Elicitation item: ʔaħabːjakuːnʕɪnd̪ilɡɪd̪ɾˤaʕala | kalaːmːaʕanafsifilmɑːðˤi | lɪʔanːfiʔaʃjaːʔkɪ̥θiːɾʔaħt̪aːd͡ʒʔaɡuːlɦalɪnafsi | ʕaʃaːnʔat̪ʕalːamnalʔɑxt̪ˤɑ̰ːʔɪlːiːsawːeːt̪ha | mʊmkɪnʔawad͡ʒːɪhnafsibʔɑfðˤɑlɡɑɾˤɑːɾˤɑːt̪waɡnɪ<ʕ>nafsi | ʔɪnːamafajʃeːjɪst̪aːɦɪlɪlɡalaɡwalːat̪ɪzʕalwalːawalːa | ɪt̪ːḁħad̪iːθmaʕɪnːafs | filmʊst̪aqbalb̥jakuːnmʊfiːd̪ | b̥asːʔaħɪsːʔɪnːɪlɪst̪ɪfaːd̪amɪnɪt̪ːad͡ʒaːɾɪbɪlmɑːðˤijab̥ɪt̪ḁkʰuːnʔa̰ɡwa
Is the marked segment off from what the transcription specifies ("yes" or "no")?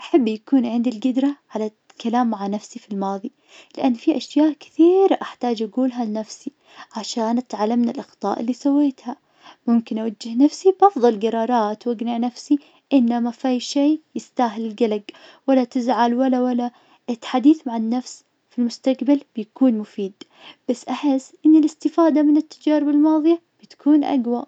no